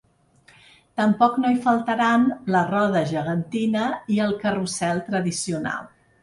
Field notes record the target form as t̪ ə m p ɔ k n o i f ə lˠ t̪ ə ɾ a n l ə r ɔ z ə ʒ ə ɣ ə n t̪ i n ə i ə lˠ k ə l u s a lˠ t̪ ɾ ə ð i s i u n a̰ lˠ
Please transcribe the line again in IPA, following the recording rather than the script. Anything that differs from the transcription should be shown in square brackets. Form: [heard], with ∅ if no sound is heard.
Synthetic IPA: t̪ ə m p ɔ k n o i f ə lˠ t̪ ə ɾ a n l ə r ɔ [ð] ə ʒ ə ɣ ə n t̪ i n ə i ə lˠ k ə [r] u s [ɛ] lˠ t̪ ɾ ə ð i s i u n a̰ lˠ